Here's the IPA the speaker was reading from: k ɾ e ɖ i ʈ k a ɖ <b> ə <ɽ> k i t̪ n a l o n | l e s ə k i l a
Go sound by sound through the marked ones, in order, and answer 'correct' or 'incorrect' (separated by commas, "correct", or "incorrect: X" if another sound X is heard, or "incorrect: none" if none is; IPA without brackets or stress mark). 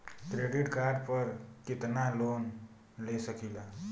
incorrect: p, incorrect: ɾ